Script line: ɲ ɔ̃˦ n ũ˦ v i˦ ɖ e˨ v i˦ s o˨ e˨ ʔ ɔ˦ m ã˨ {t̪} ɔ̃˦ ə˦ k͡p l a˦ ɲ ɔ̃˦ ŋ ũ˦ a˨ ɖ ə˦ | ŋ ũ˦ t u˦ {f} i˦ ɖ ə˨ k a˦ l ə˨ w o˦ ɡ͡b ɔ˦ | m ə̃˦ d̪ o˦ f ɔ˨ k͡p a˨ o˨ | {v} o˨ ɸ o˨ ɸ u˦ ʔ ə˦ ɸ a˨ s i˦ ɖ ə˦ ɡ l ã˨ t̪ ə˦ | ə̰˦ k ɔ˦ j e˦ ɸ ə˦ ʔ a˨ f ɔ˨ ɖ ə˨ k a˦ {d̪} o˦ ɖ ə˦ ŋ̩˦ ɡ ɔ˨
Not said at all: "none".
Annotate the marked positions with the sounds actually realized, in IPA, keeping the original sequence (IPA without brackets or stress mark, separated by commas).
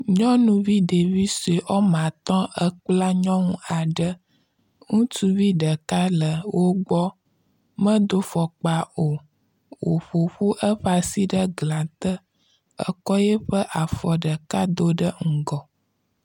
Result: t̪, v, w, d̪